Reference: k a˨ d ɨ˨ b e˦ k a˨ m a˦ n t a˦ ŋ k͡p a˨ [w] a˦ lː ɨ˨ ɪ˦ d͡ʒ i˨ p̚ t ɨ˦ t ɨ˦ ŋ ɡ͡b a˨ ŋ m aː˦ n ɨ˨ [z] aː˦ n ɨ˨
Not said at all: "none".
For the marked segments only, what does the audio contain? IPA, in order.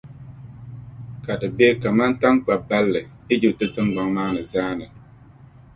b, z

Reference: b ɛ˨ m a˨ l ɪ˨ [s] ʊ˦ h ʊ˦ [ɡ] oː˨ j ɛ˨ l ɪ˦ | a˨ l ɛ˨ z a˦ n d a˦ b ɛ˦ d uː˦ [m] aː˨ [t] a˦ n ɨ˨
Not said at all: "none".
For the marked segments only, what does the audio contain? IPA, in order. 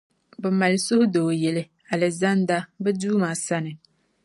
s, d, m, s

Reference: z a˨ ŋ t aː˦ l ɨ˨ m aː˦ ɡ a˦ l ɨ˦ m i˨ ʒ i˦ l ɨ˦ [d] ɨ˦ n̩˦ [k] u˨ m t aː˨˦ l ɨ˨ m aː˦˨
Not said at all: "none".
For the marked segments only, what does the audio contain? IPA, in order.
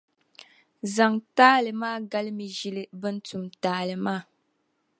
b, t

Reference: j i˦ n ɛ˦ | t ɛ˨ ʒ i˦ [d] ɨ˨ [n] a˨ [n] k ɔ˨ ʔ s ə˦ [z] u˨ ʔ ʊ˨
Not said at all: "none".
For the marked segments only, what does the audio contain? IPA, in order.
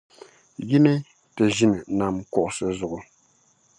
n, n, m, z

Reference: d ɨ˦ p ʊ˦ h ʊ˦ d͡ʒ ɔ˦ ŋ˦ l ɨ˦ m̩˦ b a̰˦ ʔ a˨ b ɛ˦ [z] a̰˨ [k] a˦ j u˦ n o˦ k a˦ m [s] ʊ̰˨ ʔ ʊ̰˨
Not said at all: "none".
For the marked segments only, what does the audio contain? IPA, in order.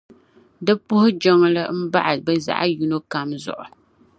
z, ʔ, z

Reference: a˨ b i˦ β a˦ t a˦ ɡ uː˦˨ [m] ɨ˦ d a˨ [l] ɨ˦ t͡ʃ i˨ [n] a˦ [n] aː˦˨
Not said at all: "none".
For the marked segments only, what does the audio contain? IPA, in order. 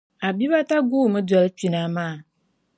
m, l, n, m

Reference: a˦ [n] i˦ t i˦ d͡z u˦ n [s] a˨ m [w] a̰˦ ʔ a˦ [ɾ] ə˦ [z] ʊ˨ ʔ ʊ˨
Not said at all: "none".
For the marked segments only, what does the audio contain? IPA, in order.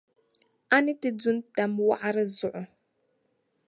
n, t, w, ɾ, z

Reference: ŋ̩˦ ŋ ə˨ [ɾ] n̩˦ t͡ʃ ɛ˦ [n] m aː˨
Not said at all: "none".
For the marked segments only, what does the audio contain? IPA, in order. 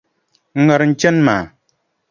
ɾ, n

